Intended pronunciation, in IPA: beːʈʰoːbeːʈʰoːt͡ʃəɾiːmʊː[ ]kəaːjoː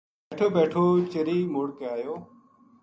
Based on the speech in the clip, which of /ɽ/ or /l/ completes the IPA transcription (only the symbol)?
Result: ɽ